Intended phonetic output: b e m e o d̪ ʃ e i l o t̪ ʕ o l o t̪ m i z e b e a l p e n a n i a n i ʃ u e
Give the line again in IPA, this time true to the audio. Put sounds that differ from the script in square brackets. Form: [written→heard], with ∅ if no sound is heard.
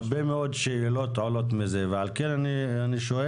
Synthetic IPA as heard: b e m e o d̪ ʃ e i l o t̪ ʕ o l o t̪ m i z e [b→v] e a l [p→k] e n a n i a n i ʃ [u→o] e